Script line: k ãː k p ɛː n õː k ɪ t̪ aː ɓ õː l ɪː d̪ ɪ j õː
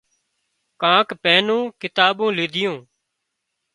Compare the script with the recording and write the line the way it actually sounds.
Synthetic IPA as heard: k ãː k p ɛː n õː k ɪ t̪ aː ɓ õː l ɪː d̪ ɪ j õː